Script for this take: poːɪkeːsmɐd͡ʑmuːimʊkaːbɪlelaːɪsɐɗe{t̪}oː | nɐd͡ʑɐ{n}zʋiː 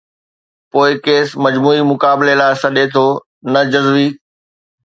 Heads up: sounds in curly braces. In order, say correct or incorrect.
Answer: incorrect: t̪ʰ, incorrect: none

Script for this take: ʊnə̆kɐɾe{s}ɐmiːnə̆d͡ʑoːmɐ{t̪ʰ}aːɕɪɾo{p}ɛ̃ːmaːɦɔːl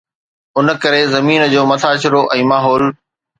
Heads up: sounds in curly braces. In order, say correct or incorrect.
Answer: incorrect: z, correct, incorrect: ʔ

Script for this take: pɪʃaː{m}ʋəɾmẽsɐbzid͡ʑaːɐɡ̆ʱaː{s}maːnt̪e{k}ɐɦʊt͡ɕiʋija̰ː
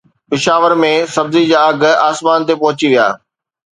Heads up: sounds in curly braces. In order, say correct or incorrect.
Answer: incorrect: none, correct, incorrect: p

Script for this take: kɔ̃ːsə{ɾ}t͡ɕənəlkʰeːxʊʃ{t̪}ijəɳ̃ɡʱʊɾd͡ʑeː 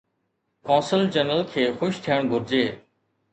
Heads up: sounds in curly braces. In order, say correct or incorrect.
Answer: incorrect: l, incorrect: t̪ʰ

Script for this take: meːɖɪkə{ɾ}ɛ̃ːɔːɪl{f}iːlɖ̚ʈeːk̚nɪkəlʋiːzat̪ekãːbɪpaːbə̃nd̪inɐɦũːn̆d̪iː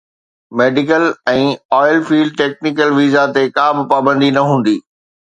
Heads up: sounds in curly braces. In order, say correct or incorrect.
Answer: incorrect: l, correct

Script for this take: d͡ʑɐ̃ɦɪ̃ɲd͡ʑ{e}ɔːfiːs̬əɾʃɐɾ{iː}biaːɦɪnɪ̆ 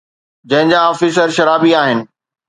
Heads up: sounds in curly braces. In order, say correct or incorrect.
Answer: incorrect: a, incorrect: aː

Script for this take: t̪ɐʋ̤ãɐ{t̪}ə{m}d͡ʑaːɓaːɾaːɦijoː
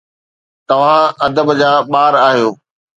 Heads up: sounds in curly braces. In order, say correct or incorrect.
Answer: incorrect: d̪, incorrect: b

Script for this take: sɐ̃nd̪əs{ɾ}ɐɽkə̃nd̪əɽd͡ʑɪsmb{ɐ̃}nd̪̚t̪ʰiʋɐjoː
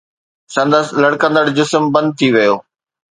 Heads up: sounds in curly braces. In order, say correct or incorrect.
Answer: incorrect: l, correct

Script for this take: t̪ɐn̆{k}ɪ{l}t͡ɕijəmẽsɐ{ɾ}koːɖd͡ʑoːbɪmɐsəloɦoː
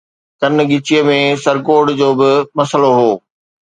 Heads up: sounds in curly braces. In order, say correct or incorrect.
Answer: incorrect: ɡ, incorrect: none, correct

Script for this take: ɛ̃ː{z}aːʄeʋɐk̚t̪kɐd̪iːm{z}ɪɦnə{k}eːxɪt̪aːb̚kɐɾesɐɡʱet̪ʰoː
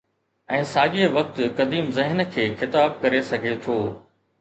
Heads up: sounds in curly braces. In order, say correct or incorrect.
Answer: incorrect: s, correct, incorrect: kʰ

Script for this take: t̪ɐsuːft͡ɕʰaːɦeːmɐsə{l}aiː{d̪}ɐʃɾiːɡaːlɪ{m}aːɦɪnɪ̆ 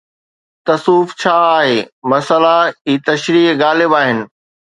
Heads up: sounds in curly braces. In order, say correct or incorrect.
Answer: correct, incorrect: t̪, incorrect: b

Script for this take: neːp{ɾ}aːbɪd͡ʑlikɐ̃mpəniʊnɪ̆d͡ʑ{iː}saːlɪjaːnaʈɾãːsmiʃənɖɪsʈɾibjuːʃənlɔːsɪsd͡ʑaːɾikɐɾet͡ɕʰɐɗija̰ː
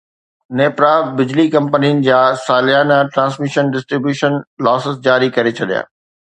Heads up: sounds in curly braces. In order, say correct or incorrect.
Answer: correct, incorrect: aː

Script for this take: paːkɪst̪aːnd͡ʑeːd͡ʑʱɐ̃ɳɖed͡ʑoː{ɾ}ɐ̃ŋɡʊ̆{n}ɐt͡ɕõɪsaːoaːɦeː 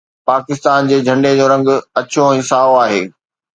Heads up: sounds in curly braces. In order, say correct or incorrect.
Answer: correct, incorrect: none

